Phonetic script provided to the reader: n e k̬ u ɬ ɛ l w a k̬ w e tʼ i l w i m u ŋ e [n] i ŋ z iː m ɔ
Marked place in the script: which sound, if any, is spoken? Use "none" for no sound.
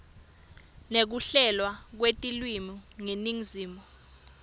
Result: n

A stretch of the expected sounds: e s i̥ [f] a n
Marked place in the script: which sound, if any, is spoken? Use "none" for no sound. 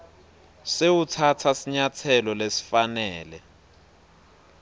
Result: f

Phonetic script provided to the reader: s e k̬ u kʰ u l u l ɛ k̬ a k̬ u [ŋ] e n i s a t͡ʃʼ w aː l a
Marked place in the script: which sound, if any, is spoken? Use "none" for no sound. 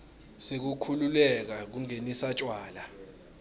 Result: ŋ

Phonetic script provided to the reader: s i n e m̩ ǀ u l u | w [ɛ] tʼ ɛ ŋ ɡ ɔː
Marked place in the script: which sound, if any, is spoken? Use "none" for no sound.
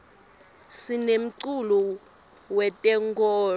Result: ɛ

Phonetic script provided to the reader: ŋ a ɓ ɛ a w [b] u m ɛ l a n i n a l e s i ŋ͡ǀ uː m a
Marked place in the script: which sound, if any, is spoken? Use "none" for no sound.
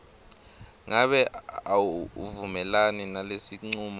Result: v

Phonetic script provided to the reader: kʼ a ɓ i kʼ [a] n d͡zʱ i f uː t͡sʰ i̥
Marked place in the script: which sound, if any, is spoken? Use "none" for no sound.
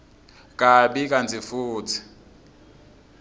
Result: a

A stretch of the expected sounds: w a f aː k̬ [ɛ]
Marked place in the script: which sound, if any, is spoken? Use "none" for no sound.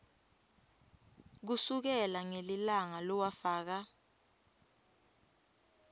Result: a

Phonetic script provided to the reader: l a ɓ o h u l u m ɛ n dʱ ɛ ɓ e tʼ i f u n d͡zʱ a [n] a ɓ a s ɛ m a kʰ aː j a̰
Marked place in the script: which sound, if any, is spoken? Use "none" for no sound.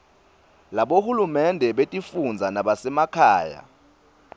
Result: n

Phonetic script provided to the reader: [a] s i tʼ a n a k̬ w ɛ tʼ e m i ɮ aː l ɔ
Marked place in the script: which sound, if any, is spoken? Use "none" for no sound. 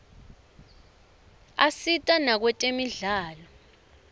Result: a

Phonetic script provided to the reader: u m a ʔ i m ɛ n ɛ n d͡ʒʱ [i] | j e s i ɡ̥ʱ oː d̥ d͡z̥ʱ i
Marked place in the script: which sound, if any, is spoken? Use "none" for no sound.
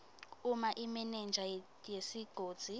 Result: a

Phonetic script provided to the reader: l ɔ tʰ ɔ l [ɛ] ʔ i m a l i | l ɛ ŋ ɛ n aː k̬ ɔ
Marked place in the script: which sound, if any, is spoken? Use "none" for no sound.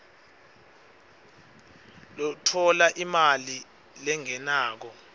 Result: a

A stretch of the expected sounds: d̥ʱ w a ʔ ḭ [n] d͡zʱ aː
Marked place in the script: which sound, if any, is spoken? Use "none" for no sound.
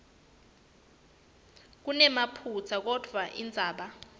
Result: n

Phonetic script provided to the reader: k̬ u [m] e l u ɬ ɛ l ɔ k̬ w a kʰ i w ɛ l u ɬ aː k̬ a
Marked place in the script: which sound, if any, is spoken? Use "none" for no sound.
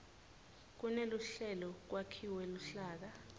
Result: n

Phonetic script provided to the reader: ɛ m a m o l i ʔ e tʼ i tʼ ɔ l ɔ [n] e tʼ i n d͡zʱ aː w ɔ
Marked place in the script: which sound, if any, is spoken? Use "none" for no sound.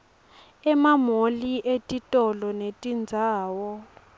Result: n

